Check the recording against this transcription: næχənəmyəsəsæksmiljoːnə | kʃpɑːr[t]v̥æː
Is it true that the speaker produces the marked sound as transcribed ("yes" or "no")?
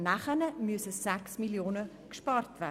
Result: yes